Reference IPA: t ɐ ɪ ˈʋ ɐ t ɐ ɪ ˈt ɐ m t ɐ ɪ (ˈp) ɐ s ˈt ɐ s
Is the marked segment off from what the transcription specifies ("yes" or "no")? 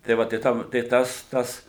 yes